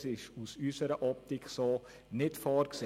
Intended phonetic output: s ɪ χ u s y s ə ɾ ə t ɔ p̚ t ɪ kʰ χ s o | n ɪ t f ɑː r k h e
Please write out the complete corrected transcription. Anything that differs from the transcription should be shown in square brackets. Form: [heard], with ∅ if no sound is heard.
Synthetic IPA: s ɪ [ʃ] u s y s ə ɾ ə [ʔ] ɔ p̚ t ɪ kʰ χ s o | n ɪ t f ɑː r k [s] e

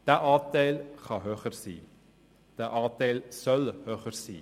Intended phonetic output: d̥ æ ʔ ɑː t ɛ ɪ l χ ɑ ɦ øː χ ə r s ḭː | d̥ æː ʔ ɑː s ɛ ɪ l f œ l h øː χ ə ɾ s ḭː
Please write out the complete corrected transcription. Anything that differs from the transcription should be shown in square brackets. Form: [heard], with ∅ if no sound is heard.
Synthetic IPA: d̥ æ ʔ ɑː t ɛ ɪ l χ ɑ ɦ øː χ ə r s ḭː | d̥ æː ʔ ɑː [t] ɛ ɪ l [s] œ l h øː χ ə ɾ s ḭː

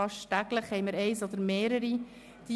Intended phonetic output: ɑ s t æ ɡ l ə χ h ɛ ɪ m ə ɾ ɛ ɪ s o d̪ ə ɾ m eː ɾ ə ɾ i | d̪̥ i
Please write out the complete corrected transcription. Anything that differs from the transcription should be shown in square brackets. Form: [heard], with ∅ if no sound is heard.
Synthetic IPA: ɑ [ʃ] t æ ɡ l ə χ h ɛ ɪ m ə ɾ ɛ ɪ s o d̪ ə ɾ m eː ɾ ə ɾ i | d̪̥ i

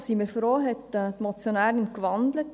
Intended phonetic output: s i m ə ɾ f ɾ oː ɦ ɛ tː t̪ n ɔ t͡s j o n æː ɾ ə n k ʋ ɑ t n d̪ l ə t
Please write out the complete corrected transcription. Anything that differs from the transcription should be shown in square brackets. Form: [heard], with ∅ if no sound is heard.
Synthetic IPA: s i m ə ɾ f ɾ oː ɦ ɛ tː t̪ [m] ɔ t͡s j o n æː ɾ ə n k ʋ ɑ [∅] n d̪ l ə t

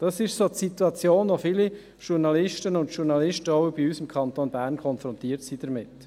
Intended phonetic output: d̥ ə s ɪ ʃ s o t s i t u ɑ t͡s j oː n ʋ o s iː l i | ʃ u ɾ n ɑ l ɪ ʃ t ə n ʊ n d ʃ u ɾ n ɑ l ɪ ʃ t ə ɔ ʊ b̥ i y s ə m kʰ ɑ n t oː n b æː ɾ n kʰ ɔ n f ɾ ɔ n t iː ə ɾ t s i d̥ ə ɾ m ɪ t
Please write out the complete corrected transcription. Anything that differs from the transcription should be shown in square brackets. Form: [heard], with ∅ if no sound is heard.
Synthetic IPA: d̥ [ɑ] s ɪ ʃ s o t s i t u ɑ t͡s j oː n ʋ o [f] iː l i | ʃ u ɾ n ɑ l ɪ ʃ t ə n ʊ n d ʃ u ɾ n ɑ l ɪ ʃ t ə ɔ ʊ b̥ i y s ə m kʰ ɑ n t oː n b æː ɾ n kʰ ɔ n f ɾ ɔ n t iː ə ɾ t s i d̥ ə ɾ m ɪ t

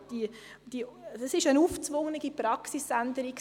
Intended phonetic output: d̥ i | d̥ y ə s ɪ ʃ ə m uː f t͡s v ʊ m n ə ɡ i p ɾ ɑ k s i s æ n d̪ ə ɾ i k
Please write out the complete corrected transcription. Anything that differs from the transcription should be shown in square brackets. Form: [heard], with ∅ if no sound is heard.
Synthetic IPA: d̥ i | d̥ [i] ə s ɪ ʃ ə [n] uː f t͡s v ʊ [ŋ] n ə ɡ i p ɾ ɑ k s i s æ n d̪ ə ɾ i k

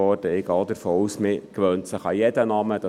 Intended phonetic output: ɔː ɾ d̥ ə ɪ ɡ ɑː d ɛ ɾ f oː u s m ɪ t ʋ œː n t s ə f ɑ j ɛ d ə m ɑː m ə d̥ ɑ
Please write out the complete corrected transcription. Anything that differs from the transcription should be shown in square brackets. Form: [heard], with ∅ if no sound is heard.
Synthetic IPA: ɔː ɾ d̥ ə ɪ ɡ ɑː d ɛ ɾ f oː u s m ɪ [k] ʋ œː n t s ə [χ] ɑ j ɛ d ə [n] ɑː m ə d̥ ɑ

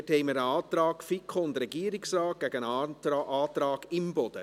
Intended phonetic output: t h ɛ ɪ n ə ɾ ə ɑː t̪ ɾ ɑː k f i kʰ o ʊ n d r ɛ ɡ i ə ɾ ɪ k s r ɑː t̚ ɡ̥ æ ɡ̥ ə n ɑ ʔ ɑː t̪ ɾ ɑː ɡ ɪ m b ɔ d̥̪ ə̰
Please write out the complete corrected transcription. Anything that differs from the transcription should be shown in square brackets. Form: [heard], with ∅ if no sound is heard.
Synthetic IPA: t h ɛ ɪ [m] ə ɾ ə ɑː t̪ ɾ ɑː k f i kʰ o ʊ n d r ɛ ɡ i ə ɾ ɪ k s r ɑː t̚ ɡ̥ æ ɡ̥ ə n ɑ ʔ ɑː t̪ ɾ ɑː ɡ ɪ m b ɔ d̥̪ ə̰

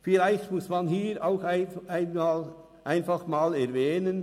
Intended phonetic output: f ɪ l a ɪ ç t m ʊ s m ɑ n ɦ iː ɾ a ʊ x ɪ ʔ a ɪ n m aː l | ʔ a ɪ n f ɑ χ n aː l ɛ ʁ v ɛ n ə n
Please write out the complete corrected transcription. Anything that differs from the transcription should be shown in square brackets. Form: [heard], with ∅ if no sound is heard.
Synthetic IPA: f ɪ l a ɪ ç t m ʊ s m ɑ n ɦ iː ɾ a ʊ x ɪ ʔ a ɪ n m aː l | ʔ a ɪ n f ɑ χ [m] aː l ɛ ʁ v [ɛː] n ə n

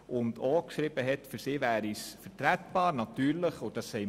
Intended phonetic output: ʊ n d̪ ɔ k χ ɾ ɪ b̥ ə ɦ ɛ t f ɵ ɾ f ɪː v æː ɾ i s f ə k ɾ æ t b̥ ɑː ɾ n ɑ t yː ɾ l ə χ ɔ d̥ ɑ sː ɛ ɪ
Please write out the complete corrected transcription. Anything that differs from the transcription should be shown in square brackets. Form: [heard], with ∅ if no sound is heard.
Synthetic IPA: ʊ n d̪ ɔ k [ʃ] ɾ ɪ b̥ ə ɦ ɛ t f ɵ ɾ [s] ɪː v æː ɾ i s f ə [t] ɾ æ t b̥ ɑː ɾ n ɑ t yː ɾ l ə χ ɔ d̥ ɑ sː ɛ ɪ

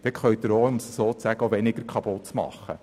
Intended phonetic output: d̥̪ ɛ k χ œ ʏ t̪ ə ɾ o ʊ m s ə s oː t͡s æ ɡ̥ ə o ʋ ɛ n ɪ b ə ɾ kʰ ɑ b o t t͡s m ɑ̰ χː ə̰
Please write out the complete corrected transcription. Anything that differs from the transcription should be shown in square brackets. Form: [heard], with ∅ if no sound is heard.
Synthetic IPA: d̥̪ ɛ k χ œ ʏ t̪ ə ɾ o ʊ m s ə s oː t͡s æ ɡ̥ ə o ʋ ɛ n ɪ [ɡ] ə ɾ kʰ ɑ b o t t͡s m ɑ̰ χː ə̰

